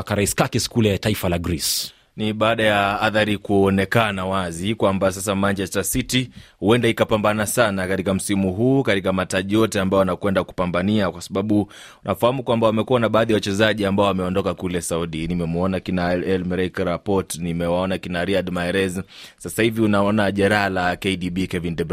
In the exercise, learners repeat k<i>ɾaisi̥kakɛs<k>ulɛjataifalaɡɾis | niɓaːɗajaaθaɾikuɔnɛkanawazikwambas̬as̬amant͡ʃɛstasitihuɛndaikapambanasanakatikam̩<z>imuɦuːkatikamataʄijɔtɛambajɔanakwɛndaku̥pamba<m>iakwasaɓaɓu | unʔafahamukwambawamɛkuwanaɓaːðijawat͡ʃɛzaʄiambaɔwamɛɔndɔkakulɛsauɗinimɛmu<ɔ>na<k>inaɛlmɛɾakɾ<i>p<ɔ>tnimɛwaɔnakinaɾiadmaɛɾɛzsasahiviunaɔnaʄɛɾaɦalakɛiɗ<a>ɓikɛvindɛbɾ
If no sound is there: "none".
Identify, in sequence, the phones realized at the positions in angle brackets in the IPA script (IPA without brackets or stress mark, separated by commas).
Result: a, k, s, n, ɔ, k, a, ɔ, i